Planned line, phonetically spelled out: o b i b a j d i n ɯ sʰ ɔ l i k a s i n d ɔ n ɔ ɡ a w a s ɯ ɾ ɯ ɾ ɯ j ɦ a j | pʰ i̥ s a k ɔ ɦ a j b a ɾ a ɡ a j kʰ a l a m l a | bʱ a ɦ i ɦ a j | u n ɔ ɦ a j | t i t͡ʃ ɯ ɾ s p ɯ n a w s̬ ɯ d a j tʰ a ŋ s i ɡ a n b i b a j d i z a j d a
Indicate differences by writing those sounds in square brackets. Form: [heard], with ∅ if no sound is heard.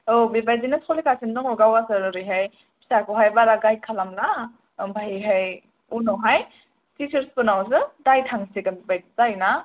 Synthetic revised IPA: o b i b a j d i n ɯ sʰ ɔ l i k a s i n d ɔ [ŋ] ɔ ɡ a w a s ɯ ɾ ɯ ɾ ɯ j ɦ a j | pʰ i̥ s a k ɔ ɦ a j b a ɾ a ɡ a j kʰ a l a m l a | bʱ a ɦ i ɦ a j | u n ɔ ɦ a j | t i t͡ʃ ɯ ɾ s p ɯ n a w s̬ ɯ d a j tʰ a ŋ s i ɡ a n b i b a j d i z a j [n] a